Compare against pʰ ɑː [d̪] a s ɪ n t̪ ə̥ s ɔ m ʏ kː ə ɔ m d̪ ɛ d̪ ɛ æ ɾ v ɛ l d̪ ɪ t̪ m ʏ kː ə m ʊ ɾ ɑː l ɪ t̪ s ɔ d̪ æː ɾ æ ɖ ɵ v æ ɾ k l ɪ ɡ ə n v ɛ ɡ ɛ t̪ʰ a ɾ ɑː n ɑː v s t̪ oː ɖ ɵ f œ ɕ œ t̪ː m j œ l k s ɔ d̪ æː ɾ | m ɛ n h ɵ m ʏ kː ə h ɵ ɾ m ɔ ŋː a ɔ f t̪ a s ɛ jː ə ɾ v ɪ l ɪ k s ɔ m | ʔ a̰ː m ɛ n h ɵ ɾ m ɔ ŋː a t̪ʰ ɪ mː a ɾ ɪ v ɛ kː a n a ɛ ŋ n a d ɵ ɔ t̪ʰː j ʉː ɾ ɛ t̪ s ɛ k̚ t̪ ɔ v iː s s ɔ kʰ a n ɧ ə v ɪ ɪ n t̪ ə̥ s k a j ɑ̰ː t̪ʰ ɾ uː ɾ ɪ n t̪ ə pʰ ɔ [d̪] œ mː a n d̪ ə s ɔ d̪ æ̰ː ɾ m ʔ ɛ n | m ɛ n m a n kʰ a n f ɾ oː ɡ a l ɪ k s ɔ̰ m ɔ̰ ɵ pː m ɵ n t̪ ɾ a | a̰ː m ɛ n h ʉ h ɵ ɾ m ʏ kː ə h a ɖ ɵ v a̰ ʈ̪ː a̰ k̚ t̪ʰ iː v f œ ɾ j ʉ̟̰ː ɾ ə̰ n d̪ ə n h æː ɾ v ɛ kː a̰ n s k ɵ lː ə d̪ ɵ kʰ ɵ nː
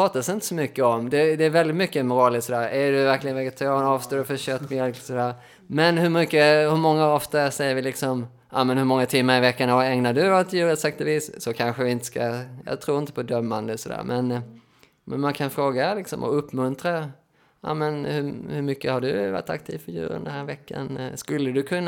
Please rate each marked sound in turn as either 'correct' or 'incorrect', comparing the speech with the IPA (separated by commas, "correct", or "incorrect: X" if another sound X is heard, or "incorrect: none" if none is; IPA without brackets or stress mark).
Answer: incorrect: t̪, correct